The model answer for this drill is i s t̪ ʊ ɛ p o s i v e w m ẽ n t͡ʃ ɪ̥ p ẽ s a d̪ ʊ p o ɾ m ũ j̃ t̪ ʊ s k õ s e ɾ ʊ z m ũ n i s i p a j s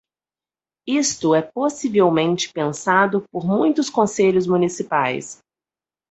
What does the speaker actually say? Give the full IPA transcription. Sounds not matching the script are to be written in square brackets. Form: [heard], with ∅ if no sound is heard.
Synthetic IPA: i s t̪ ʊ ɛ p o s i v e w m ẽ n t͡ʃ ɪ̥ p ẽ s a d̪ ʊ p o ɾ m ũ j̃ t̪ ʊ s k õ s e [ʎ] ʊ z m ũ n i s i p a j s